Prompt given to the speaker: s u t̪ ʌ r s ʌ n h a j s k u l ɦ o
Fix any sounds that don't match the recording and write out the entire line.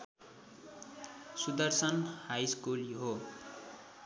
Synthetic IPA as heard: s u d̪ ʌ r s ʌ n h a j s k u l ɦ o